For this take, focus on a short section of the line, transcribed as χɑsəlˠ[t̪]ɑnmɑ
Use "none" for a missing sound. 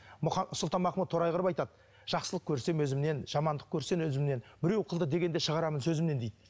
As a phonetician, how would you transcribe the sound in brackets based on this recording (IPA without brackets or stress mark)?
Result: t̪